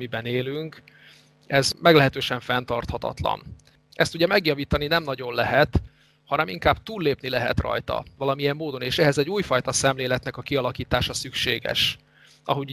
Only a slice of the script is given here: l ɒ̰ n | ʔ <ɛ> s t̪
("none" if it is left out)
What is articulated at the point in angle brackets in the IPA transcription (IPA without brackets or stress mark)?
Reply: ɛ